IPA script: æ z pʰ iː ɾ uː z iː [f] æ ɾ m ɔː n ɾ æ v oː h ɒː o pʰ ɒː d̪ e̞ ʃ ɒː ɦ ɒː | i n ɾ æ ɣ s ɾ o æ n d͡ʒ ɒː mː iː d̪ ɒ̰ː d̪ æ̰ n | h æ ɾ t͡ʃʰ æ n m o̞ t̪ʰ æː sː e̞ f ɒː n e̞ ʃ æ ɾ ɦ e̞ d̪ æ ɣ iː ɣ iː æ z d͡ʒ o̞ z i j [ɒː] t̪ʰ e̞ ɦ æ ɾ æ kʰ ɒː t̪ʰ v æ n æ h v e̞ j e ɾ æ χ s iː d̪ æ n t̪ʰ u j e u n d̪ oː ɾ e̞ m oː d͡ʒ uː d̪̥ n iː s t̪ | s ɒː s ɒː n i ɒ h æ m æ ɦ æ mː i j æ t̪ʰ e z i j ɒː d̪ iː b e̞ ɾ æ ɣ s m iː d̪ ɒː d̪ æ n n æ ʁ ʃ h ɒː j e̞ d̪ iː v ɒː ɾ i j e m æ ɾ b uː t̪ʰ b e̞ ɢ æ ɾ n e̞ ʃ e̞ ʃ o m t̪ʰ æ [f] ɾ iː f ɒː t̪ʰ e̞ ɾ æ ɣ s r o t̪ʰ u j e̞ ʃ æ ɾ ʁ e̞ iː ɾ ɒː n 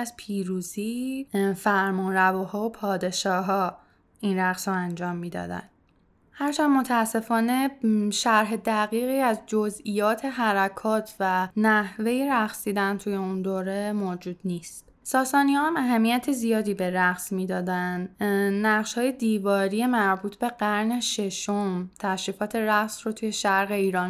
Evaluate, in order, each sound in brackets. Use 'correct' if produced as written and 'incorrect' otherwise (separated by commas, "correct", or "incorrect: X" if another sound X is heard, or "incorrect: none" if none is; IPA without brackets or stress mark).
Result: correct, correct, incorrect: ʃ